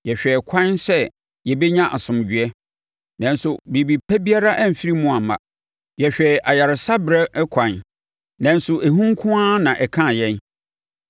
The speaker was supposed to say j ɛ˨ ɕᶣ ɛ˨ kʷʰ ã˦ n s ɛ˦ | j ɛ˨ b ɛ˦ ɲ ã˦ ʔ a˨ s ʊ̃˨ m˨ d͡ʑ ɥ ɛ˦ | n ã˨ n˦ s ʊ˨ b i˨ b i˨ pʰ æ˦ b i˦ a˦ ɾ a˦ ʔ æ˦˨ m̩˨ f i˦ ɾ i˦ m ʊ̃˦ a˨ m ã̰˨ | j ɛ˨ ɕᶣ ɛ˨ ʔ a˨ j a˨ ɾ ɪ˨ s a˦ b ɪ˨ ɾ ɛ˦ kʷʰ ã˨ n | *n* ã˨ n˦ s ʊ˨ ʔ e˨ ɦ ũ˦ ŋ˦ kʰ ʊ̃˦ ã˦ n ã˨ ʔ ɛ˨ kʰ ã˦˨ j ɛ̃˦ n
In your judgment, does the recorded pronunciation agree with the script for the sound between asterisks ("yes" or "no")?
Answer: yes